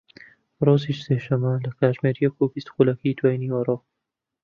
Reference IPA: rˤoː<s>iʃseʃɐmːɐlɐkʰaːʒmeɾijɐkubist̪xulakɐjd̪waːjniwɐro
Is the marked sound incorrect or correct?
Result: incorrect